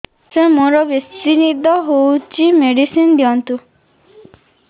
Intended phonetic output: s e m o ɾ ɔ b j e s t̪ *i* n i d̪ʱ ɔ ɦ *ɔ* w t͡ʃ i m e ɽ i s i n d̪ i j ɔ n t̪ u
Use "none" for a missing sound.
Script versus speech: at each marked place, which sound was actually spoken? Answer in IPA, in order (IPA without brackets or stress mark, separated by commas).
i, o